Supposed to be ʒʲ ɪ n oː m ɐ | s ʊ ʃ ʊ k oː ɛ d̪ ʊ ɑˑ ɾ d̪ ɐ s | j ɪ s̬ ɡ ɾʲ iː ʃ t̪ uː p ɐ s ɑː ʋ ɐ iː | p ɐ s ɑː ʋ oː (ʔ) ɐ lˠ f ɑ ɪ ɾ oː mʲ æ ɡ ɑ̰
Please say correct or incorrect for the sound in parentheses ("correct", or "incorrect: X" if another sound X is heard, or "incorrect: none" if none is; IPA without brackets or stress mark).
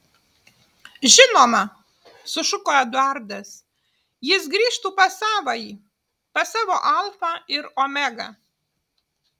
correct